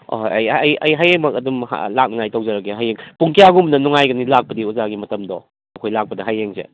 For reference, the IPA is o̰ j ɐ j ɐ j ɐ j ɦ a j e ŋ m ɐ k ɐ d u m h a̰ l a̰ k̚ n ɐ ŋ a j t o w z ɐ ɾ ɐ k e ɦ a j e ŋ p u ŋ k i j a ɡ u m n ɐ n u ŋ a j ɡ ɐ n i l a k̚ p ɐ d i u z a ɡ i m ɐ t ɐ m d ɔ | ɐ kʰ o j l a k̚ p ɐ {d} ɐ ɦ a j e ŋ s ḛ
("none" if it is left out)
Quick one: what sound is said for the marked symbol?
d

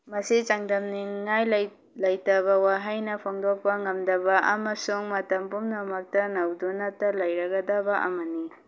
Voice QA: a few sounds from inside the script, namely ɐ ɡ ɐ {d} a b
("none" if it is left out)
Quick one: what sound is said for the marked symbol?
d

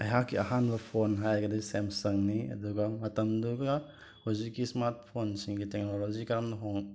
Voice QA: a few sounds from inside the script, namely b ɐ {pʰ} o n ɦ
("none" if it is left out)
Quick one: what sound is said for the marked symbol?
pʰ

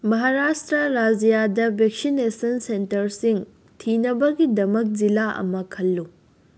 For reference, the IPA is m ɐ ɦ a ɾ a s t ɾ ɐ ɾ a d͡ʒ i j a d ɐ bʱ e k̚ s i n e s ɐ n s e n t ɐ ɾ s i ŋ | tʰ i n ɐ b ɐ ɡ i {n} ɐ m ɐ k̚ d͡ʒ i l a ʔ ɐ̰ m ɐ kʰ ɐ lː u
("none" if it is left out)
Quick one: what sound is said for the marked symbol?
d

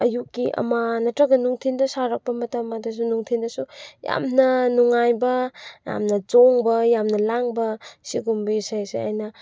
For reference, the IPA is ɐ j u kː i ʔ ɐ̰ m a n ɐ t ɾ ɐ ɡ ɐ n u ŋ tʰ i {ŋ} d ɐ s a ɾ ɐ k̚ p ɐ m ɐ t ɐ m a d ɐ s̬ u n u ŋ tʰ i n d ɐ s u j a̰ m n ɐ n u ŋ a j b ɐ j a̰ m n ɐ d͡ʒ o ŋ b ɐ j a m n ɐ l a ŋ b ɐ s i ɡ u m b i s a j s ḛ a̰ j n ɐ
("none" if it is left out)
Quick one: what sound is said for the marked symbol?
n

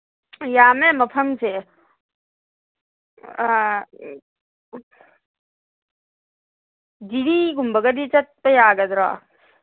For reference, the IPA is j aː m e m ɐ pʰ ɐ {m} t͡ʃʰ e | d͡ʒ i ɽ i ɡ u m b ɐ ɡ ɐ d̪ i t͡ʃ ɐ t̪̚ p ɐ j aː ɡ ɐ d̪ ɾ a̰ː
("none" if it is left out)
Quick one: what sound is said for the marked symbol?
m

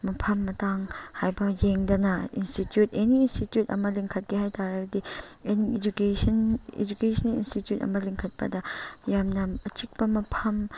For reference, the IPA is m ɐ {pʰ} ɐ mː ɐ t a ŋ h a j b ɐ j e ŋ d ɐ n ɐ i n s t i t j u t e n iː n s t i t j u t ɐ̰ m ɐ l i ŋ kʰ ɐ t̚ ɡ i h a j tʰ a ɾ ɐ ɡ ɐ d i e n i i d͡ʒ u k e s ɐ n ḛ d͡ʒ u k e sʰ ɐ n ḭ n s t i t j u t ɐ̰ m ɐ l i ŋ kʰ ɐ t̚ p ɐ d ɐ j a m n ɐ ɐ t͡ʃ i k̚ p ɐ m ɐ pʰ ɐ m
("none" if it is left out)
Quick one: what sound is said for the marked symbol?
pʰ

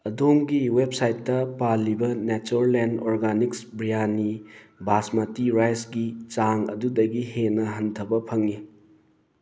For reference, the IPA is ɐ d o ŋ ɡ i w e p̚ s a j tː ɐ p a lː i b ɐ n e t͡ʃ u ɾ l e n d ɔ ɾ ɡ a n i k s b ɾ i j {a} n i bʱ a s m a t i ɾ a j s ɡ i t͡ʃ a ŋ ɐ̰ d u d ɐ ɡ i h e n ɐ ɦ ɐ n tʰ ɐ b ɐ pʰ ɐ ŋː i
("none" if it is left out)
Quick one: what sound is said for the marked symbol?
a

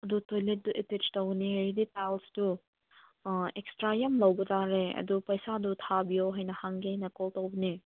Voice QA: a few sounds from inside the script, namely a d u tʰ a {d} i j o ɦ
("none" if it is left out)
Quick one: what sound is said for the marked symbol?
b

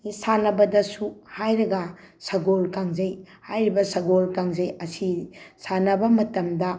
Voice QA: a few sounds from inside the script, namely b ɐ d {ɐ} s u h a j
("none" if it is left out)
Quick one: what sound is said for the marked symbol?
ɐ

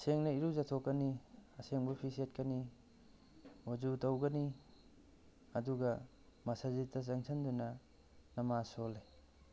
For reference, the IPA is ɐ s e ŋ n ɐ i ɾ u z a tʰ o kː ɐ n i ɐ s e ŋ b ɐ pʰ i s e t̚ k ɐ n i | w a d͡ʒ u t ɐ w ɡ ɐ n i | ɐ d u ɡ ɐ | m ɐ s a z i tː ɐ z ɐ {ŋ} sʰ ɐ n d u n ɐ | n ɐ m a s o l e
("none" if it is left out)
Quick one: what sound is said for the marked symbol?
ŋ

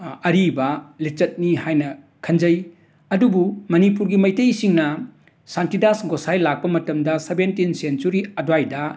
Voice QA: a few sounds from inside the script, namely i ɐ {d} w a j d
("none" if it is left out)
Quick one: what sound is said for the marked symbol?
d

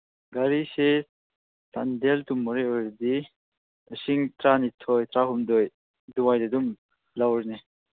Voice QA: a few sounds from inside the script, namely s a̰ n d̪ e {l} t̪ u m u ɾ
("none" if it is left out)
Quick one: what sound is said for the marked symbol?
l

